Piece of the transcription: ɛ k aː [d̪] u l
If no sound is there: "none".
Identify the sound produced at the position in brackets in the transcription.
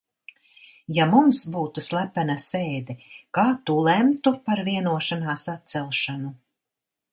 t̪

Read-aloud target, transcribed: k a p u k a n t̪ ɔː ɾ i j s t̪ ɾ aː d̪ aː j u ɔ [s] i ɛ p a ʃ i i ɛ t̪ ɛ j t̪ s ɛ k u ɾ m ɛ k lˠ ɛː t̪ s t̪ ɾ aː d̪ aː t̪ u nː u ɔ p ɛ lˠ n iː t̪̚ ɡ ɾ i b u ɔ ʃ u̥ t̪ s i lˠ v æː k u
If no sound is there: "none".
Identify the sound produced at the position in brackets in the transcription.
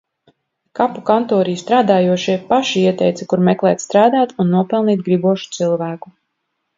ʃ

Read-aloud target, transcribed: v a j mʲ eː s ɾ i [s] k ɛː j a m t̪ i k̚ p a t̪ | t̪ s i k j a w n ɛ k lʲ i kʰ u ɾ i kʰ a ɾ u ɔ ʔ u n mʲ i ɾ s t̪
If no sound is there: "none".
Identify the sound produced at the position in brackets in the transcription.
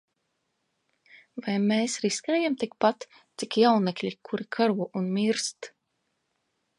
s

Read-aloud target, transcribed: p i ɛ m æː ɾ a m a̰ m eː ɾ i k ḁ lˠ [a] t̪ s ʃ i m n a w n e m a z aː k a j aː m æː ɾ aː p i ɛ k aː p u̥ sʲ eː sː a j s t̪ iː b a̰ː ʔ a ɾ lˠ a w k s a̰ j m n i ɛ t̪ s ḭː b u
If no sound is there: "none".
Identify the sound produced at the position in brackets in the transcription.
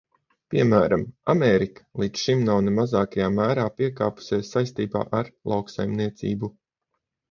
i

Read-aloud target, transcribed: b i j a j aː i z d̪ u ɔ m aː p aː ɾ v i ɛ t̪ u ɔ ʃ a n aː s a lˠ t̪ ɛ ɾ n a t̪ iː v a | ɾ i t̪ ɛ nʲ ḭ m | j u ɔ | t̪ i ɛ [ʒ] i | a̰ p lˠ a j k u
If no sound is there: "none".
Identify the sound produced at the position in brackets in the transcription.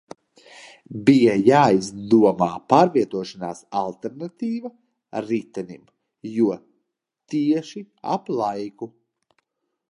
ʃ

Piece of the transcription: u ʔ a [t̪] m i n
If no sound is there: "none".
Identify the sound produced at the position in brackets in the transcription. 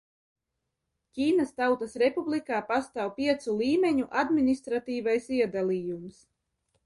d̪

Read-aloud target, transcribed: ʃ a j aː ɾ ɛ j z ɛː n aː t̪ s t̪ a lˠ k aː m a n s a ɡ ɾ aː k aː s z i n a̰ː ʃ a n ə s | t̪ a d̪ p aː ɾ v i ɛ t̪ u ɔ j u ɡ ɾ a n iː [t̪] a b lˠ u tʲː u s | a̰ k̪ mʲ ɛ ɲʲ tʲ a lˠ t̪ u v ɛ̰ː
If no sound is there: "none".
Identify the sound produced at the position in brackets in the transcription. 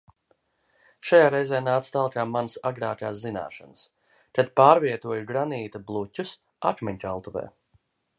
t̪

